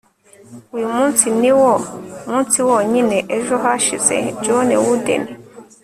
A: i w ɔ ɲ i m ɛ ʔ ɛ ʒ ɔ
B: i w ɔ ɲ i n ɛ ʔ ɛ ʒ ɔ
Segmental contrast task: B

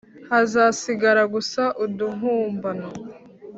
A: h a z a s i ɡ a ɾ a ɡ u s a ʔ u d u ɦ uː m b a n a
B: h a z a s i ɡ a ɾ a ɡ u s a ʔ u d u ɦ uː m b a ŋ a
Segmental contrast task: A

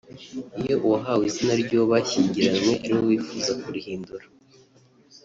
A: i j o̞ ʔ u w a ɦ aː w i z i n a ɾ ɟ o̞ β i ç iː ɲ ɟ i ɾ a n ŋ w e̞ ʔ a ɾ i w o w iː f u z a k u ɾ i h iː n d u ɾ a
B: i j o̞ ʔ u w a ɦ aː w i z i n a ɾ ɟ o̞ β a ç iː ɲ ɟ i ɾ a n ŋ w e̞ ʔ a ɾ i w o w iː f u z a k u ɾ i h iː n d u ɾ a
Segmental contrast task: B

